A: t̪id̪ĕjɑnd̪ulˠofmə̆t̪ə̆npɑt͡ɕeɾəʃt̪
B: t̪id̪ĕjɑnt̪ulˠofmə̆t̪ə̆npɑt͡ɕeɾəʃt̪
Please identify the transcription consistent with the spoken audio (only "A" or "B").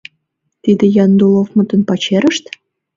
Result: A